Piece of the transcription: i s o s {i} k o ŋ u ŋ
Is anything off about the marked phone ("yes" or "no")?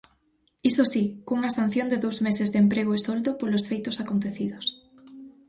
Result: no